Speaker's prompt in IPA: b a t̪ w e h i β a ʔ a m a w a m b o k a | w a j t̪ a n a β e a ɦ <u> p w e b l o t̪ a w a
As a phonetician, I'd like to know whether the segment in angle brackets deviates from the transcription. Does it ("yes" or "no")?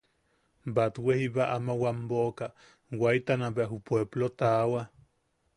no